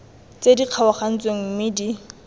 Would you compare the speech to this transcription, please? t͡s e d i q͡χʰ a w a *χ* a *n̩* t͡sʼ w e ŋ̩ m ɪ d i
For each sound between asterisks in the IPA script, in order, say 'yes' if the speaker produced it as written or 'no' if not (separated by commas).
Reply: yes, yes